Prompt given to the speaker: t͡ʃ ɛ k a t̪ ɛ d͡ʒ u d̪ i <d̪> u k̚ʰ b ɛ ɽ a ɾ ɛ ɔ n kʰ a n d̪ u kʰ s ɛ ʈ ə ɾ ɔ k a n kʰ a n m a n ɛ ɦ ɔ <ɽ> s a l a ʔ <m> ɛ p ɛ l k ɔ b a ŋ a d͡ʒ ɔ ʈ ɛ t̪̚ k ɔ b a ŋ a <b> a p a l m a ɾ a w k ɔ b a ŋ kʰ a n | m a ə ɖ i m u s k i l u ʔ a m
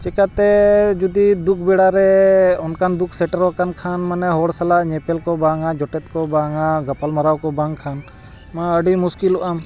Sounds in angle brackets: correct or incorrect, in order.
correct, correct, incorrect: ɲ, incorrect: ɡ

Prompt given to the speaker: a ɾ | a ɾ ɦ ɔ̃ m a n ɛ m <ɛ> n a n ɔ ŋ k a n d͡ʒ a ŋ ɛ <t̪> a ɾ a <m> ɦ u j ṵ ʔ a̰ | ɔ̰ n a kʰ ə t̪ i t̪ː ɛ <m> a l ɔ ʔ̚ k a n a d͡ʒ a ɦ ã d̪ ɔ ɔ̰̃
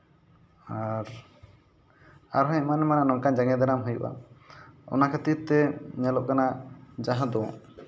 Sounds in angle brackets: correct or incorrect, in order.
incorrect: a, incorrect: d̪, correct, incorrect: ɲ

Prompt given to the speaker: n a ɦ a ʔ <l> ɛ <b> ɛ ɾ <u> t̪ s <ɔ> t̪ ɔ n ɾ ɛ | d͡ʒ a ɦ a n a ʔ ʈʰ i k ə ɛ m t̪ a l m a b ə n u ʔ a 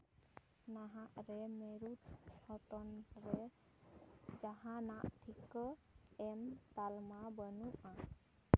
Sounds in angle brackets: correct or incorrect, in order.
incorrect: ɾ, incorrect: m, correct, correct

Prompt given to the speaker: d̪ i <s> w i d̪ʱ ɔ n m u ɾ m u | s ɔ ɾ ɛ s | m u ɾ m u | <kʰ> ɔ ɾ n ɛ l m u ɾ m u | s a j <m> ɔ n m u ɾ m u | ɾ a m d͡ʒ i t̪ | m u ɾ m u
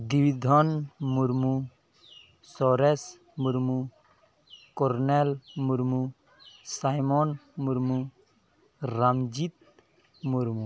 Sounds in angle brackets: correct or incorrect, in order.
incorrect: none, incorrect: k, correct

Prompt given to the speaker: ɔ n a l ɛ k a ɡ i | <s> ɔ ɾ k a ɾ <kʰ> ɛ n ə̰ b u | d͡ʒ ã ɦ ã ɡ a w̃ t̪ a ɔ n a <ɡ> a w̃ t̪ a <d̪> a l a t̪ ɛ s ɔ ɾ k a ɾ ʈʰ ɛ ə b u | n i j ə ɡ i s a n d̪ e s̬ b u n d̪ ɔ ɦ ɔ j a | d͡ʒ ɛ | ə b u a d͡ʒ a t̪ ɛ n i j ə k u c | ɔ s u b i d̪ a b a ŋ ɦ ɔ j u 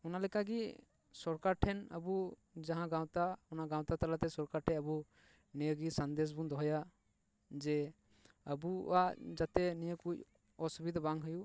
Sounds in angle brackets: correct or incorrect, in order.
correct, incorrect: ʈʰ, correct, incorrect: t̪

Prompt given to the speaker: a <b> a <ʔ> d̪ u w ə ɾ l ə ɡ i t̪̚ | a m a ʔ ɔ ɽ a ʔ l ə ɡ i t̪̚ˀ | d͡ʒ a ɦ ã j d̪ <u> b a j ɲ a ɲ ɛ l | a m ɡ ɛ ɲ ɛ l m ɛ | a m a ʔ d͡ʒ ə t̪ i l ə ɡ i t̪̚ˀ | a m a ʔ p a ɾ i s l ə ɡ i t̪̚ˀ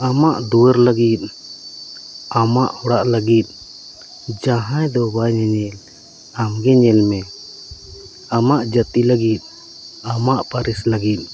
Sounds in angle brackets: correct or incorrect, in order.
incorrect: m, correct, incorrect: ɔ

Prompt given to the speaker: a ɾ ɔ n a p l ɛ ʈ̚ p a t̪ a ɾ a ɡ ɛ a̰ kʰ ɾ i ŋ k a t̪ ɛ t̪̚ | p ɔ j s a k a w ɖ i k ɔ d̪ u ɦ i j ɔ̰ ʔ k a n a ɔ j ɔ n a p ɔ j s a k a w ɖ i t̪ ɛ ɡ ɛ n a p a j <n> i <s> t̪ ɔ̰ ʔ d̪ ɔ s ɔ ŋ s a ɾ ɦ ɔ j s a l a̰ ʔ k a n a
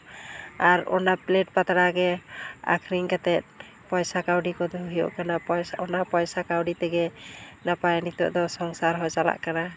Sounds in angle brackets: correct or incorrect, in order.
correct, incorrect: none

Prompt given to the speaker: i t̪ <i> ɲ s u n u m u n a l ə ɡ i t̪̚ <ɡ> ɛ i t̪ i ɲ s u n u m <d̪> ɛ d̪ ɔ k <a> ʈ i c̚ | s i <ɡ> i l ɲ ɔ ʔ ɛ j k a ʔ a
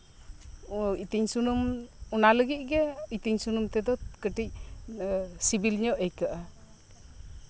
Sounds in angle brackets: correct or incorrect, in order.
correct, correct, incorrect: t̪, incorrect: ə, incorrect: b

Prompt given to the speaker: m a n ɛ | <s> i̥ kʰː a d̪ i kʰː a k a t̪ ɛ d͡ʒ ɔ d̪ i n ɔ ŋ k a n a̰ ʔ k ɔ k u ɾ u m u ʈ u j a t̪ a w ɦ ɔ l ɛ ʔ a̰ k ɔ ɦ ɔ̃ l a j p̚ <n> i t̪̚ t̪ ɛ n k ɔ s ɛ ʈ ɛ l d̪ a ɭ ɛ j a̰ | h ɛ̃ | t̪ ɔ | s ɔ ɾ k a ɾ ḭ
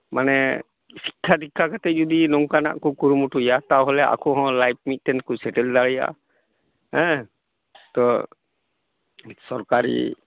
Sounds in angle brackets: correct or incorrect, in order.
correct, incorrect: m

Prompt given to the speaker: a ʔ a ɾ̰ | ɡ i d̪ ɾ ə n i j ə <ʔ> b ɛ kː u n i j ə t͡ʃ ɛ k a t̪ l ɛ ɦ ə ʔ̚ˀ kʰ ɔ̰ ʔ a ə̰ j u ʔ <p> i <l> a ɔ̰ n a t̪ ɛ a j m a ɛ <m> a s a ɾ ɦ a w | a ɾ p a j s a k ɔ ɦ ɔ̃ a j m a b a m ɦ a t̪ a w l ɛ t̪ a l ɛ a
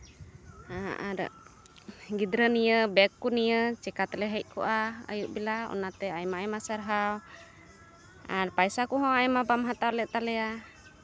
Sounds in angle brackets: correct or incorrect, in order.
incorrect: none, incorrect: b, correct, correct

